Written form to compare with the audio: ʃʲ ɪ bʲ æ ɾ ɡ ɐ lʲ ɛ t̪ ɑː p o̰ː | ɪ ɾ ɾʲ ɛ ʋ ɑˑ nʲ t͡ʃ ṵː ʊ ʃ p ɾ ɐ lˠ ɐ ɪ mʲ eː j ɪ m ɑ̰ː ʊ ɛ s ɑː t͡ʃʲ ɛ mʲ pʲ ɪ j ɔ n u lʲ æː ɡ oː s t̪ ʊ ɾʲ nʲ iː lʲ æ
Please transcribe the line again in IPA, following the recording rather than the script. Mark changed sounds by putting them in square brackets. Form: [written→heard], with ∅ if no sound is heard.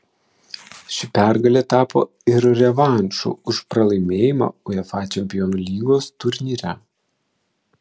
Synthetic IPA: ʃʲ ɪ [bʲ→pʲ] æ ɾ ɡ ɐ lʲ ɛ t̪ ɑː p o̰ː | ɪ ɾ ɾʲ ɛ ʋ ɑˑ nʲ t͡ʃ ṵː ʊ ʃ p ɾ ɐ lˠ ɐ ɪ mʲ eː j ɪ m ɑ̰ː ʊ ɛ [s→f] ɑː t͡ʃʲ ɛ mʲ pʲ ɪ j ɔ n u lʲ [æː→iː] ɡ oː s t̪ ʊ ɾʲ nʲ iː [lʲ→ɾʲ] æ